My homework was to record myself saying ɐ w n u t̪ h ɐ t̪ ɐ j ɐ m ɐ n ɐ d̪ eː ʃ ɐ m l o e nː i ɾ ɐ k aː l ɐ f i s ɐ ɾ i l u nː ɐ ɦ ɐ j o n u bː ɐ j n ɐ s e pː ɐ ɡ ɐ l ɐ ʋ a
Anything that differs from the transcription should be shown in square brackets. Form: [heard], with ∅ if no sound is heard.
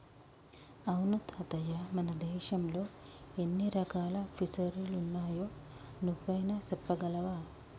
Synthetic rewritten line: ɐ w n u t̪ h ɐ t̪ ɐ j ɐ m ɐ n ɐ d̪ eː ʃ ɐ m l o e nː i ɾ ɐ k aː l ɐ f i s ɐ ɾ i l u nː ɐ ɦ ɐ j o n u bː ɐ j n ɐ s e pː ɐ ɡ ɐ l ɐ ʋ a